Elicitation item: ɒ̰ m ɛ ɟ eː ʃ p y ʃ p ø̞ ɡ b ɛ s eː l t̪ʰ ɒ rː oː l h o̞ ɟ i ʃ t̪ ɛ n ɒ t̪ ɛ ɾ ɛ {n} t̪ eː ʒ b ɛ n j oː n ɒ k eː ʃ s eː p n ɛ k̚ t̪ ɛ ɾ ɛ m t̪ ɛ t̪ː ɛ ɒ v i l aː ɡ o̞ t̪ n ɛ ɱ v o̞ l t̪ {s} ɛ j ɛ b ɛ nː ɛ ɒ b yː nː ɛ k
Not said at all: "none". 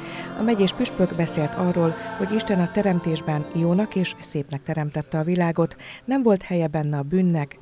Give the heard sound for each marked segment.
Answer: m, h

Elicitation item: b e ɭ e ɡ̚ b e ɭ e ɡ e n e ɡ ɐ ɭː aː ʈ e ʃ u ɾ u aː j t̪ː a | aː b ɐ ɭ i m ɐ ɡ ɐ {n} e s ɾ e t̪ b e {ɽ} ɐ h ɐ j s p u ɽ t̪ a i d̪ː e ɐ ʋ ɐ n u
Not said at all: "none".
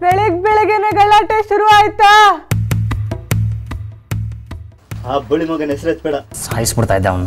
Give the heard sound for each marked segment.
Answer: n, ɽ

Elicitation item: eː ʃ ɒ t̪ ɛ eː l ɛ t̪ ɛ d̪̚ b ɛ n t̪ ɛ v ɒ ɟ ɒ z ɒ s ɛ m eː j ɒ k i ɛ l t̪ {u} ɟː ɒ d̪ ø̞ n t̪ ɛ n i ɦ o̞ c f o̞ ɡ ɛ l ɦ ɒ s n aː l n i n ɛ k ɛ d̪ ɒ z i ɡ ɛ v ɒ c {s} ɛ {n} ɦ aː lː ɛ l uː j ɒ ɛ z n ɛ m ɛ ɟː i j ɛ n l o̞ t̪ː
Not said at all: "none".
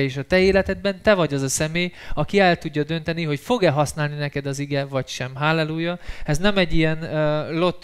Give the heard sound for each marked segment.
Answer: u, ʃ, m

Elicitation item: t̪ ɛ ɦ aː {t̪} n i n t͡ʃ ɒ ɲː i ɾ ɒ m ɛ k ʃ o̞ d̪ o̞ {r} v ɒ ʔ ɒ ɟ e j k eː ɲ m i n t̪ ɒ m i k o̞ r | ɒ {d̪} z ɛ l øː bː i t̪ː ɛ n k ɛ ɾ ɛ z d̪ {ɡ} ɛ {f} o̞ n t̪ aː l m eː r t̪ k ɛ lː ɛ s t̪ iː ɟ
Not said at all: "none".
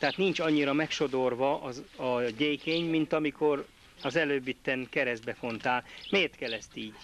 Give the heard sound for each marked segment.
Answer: t̪, r, none, b, f

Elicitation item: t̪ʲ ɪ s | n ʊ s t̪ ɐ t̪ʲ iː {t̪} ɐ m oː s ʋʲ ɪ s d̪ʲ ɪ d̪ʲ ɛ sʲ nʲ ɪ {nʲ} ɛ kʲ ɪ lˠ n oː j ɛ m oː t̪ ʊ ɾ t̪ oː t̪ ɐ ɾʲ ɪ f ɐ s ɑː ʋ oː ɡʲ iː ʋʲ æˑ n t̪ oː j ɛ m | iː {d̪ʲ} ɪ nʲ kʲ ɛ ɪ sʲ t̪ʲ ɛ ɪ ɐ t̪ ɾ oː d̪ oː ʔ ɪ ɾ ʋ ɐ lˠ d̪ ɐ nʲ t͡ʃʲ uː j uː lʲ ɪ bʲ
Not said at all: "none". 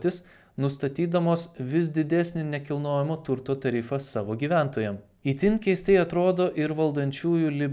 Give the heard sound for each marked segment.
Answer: d̪, nʲ, t̪ʲ

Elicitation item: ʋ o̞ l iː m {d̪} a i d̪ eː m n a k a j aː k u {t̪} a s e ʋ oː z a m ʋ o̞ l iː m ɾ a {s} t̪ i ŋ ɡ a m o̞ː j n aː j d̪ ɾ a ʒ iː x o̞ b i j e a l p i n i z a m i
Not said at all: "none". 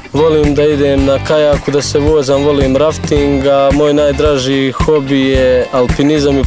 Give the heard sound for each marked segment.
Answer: d̪, d̪, f

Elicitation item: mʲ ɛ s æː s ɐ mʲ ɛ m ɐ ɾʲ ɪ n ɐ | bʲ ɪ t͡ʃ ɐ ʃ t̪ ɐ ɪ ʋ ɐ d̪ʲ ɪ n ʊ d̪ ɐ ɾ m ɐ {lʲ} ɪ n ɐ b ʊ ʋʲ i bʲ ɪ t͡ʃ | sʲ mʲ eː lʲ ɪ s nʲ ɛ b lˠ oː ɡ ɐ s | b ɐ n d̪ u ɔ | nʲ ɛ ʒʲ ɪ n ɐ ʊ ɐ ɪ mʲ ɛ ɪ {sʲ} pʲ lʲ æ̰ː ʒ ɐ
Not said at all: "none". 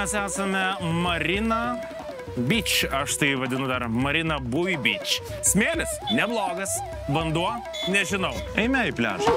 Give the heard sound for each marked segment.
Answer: ɾʲ, none

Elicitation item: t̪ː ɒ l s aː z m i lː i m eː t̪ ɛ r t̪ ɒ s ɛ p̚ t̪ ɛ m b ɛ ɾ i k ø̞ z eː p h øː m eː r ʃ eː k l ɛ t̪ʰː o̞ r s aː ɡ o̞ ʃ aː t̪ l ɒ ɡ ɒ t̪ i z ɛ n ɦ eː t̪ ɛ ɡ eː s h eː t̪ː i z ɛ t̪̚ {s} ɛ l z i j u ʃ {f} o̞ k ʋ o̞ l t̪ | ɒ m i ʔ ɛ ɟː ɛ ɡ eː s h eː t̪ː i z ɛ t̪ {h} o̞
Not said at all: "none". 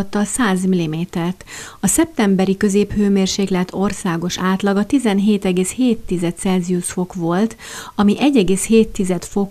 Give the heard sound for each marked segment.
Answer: s, f, f

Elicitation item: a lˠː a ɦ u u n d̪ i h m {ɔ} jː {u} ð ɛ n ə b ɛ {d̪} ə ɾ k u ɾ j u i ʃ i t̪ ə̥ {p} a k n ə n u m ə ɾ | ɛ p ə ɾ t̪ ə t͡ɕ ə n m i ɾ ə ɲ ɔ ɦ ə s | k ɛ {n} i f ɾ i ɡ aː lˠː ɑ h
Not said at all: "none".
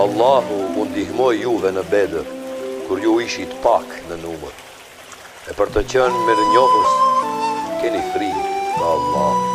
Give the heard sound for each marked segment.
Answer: ɔ, u, d̪, p, n

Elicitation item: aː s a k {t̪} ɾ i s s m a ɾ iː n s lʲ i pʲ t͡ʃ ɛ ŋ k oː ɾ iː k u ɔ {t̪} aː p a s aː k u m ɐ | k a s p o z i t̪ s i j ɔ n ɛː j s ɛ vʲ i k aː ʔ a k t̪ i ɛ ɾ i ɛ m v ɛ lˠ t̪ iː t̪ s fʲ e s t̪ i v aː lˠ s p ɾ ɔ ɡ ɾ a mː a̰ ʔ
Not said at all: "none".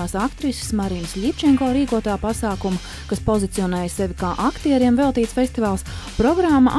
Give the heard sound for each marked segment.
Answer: t̪, t̪

